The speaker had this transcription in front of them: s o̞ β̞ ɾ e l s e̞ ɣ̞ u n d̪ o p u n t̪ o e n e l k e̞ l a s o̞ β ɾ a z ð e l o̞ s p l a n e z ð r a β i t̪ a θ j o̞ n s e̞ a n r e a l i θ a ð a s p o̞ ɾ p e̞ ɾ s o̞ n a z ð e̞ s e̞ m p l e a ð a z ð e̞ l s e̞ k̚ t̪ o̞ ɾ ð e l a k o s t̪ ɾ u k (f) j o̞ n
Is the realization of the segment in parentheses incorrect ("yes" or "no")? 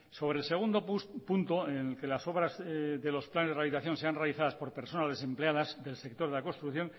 yes